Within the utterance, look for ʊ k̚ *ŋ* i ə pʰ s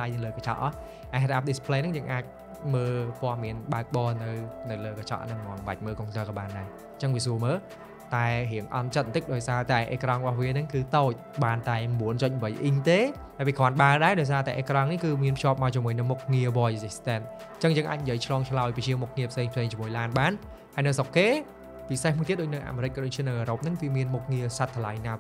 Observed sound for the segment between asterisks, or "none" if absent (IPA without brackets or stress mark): ŋ